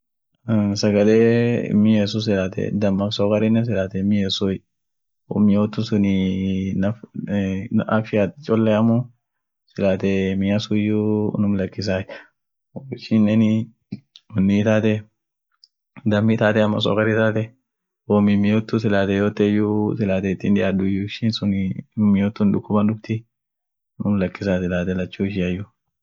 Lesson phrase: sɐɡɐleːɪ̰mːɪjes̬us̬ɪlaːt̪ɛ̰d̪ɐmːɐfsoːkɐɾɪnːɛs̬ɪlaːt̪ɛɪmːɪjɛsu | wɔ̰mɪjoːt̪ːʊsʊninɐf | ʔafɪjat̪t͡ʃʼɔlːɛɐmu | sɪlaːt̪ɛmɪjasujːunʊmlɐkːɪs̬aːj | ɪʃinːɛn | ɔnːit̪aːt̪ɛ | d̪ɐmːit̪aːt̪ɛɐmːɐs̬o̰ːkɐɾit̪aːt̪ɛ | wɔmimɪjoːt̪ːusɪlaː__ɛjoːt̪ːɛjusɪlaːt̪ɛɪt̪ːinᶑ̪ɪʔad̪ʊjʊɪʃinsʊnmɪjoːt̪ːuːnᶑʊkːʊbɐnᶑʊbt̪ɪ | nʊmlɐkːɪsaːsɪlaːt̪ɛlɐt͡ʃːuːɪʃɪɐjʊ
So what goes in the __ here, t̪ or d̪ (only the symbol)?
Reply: t̪